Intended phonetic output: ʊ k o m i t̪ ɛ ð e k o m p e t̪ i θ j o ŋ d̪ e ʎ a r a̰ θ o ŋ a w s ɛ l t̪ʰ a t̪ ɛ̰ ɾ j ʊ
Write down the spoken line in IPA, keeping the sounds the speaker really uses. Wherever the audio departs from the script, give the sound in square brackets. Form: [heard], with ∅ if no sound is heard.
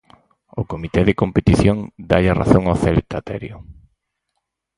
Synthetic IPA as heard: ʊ k o m i t̪ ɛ ð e k o m p e t̪ i θ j o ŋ d̪ [a] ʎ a r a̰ θ o ŋ a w [θ] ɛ l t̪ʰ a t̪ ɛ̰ ɾ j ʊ